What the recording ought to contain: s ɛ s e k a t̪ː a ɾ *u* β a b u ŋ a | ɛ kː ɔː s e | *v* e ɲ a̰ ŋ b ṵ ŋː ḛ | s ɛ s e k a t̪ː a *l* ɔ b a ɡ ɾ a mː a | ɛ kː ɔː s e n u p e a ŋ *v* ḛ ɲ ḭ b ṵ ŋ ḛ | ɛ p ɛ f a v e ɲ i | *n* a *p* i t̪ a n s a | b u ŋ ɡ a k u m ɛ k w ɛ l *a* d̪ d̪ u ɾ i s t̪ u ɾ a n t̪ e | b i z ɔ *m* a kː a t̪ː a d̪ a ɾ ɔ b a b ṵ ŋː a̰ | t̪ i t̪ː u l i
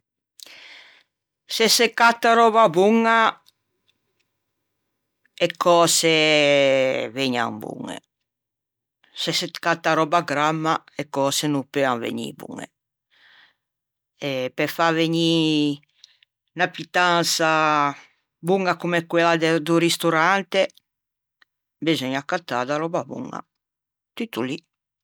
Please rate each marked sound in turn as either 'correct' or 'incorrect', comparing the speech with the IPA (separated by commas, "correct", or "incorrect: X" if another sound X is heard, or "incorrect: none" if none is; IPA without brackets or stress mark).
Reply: incorrect: ɔ, correct, incorrect: ɾ, correct, correct, correct, correct, incorrect: ɲ